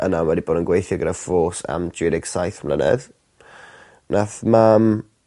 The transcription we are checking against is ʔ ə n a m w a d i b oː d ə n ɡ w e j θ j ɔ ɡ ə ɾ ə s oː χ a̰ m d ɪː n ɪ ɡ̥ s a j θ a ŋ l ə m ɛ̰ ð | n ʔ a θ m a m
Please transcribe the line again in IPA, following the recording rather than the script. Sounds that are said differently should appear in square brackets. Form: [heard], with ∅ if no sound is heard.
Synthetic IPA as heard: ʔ ə n a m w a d i b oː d ə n ɡ w e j θ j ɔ ɡ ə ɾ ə [f] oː [s] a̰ m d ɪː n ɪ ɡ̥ s a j θ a [m] l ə [n] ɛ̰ ð | n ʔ a θ m a m